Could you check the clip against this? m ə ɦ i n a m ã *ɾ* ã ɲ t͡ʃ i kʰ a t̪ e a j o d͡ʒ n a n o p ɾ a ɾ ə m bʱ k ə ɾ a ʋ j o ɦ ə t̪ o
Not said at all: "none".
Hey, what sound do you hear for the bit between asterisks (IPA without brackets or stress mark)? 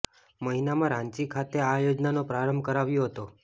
ɾ